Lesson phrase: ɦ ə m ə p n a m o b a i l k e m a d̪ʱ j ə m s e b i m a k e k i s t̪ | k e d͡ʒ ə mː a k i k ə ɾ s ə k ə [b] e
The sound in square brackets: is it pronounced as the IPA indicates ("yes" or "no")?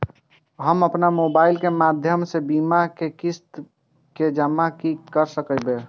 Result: yes